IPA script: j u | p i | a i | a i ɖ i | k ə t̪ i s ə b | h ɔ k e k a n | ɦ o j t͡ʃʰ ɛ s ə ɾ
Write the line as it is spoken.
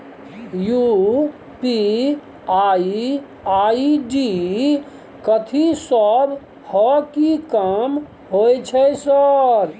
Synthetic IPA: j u | p i | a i | a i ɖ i | k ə t̪ʰ i s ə b | h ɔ k i k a m | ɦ o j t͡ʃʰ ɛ s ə ɾ

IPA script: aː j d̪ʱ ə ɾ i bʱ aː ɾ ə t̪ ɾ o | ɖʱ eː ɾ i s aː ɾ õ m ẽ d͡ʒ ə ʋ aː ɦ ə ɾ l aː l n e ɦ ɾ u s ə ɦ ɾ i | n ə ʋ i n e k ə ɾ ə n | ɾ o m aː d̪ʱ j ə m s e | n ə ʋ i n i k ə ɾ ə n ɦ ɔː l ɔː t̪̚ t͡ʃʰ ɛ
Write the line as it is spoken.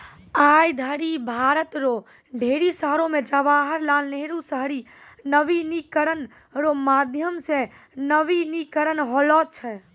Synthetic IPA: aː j d̪ʱ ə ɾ i bʱ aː ɾ ə t̪ ɾ o | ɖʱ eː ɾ i s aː ɾ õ m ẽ d͡ʒ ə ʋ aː ɦ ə ɾ l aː l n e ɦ ɾ u s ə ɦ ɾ i | n ə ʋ i n i k ə ɾ ə n | ɾ o m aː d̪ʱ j ə m s e | n ə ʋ i n i k ə ɾ ə n ɦ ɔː l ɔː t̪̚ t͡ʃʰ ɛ

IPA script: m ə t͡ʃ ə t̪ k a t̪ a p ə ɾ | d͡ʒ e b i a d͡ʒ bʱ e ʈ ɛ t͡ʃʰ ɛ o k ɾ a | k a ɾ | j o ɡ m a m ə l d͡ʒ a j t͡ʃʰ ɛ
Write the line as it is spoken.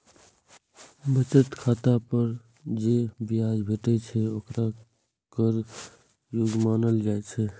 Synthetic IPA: b ə t͡ʃ ə t̪ kʰ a t̪ a p ə ɾ | d͡ʒ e b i a d͡ʒ bʱ e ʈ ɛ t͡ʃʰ ɛ o k ɾ a | k ə ɾ | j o ɡ m a n ə l d͡ʒ a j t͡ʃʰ ɛ

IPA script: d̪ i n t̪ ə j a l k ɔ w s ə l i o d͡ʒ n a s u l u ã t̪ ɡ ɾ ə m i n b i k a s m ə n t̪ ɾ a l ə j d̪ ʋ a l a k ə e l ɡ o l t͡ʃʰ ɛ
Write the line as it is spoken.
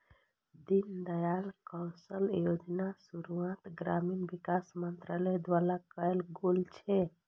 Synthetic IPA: d̪ i n d̪ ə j a l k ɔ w s ə l j o d͡ʒ n a s u ɾ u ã t̪ ɡ ɾ a m i n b i k a s m ə n t̪ ɾ a l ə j d̪ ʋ a l a k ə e l ɡ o l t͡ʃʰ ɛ

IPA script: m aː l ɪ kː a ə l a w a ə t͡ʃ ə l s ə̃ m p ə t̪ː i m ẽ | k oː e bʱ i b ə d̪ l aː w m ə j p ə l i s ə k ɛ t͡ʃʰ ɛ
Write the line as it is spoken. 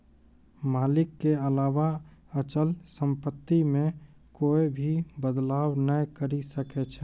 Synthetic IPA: m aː l ɪ kː e ə l a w a ə t͡ʃ ə l s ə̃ m p ə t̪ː i m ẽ | k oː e bʱ i b ə d̪ l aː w n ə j k ə ɾ i s ə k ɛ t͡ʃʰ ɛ

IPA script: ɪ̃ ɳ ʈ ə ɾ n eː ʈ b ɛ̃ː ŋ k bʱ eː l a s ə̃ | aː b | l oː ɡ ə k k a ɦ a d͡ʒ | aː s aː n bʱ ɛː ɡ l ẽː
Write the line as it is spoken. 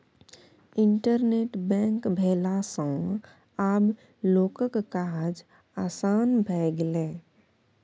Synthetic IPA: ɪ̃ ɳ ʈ ə ɾ n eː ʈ b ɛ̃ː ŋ k bʱ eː l a s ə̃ | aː b | l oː k ə k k a ɦ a d͡ʒ | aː s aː n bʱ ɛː ɡ l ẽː

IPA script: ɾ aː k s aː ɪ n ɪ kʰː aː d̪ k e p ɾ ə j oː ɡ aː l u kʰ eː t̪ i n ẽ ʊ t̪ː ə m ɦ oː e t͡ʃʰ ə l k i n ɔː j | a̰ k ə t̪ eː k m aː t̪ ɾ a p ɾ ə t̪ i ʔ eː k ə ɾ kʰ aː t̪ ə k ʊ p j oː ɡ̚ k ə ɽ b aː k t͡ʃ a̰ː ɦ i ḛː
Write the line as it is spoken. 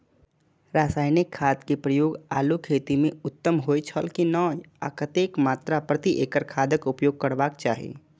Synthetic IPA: ɾ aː s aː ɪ n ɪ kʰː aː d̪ k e p ɾ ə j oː ɡ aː l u kʰ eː t̪ i m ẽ ʊ t̪ː ə m ɦ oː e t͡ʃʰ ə l k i n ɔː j | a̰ k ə t̪ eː k m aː t̪ ɾ a p ɾ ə t̪ i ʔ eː k ə ɾ kʰ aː d̪ ə k ʊ p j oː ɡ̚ k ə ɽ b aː k t͡ʃ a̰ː ɦ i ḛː

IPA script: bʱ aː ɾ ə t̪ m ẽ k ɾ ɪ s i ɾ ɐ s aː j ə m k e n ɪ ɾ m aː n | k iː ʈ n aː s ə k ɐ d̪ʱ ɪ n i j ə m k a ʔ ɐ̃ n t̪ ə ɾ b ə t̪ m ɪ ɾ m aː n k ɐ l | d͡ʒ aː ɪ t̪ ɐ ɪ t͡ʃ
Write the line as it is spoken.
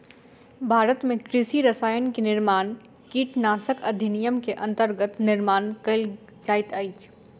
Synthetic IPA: bʱ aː ɾ ə t̪ m ẽ k ɾ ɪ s i ɾ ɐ s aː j ə n k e n ɪ ɾ m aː n | k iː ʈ n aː s ə k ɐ d̪ʱ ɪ n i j ə m k e ʔ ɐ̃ n t̪ ə ɾ ɡ ə t̪ n ɪ ɾ m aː n k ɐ l | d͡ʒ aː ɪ t̪ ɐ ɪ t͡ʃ

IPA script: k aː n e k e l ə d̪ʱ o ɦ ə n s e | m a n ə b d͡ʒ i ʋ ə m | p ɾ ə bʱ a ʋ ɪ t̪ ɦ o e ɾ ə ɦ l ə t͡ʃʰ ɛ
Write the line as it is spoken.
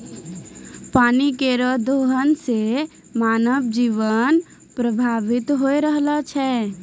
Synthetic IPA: p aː n i k e ɾ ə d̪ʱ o ɦ ə n s e | m a n ə b d͡ʒ i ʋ ə n | p ɾ ə bʱ a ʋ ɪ t̪ ɦ o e ɾ ə ɦ l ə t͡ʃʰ ɛ

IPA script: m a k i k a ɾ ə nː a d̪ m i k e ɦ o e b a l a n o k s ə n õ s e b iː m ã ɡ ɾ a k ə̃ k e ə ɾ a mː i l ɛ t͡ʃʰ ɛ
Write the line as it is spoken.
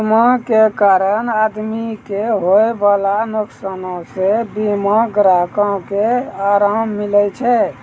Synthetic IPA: m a k e k a ɾ ə n a d̪ m i k e ɦ o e b a l a n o k s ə n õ s e b i m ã ɡ ɾ a k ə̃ k e a ɾ a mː i l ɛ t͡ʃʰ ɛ

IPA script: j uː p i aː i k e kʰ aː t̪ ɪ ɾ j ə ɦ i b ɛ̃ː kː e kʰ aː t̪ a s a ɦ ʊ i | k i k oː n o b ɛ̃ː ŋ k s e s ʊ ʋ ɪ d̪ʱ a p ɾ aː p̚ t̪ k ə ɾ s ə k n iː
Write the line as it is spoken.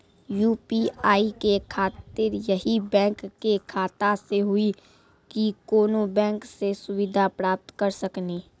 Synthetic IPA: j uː p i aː i k e kʰ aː t̪ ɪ ɾ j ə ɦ i b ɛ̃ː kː e kʰ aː t̪ a s e ɦ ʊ i | k i k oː n o b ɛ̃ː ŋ k s e s ʊ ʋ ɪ d̪ʱ a p ɾ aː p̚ t̪ k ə ɾ s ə k n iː

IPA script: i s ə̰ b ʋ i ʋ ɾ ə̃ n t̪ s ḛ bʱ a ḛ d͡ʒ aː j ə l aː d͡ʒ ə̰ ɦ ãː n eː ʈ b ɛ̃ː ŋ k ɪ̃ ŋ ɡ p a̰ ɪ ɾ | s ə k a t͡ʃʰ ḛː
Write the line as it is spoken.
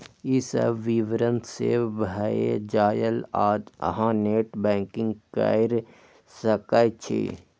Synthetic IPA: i s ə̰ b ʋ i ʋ ɾ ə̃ n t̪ s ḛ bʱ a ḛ d͡ʒ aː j ə l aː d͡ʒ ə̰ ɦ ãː n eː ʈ b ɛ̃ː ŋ k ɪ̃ ŋ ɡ k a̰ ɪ ɾ | s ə k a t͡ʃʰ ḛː

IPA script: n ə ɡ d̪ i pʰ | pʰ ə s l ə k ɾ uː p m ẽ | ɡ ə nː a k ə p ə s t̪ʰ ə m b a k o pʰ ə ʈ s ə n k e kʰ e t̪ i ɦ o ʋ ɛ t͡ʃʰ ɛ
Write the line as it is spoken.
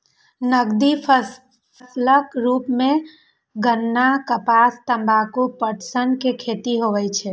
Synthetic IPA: n ə ɡ d̪ i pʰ | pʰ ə s l ə k ɾ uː p m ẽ | ɡ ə nː a k ə p a s t̪ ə m b a k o p ə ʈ s ə n k e kʰ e t̪ i ɦ o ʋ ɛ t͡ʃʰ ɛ

